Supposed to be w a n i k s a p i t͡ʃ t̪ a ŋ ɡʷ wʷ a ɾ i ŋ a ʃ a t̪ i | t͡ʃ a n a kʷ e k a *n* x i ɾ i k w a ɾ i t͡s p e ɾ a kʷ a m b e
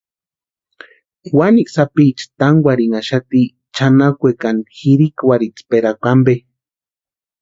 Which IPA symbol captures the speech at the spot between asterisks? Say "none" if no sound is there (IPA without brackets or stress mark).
n